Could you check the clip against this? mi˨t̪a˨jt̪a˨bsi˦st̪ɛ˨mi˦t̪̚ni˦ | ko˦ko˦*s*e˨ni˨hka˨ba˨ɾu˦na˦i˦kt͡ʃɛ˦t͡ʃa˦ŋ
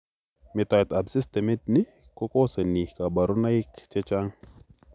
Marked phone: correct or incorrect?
correct